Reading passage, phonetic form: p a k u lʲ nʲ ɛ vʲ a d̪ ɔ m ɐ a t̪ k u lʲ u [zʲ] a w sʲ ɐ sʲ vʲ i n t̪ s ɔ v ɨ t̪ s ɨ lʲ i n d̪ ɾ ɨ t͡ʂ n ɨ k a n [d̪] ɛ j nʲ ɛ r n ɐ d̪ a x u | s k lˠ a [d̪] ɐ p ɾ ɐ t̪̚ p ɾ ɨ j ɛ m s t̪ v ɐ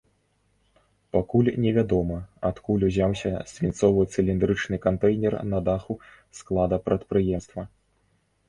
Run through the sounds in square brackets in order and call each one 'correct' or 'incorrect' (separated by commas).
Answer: correct, incorrect, correct